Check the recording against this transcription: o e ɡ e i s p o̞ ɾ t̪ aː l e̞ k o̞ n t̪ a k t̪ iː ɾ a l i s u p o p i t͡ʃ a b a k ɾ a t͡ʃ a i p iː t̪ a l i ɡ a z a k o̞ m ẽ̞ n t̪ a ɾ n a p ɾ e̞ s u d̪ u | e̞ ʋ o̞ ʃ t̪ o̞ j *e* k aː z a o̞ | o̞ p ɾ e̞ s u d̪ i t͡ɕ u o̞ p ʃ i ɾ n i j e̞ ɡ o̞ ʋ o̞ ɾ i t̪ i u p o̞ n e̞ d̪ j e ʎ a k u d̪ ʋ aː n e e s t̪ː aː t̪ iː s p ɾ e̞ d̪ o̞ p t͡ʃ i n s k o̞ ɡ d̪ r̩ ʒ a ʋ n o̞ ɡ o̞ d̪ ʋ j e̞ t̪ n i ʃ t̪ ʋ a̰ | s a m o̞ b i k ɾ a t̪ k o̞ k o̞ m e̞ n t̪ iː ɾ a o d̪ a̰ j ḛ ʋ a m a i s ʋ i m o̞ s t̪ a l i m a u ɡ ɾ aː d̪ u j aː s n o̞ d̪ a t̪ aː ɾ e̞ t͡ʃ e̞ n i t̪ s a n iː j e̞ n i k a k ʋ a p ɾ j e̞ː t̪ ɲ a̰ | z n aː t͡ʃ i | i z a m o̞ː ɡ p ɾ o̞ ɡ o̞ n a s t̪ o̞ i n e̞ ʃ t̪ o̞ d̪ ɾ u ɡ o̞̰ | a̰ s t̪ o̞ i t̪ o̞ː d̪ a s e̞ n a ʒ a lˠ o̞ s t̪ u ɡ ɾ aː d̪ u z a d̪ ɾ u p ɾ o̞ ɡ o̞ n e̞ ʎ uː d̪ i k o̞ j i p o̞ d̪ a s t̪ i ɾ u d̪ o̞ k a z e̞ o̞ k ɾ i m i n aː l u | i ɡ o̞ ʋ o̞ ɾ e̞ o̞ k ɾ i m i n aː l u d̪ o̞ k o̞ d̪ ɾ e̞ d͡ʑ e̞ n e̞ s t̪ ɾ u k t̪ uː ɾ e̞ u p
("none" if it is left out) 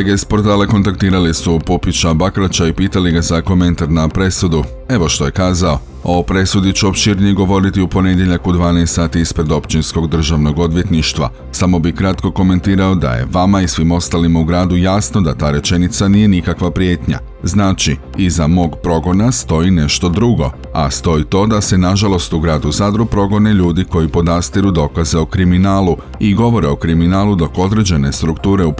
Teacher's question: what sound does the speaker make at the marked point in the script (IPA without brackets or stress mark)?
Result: e